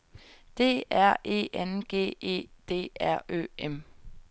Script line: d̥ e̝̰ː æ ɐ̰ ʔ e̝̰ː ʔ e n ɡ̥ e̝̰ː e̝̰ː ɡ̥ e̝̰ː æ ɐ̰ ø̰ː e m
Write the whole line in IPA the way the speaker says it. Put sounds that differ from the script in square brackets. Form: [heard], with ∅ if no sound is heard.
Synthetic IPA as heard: d̥ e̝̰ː æ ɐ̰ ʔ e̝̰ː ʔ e n ɡ̥ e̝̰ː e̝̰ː [d̥] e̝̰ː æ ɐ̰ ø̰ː e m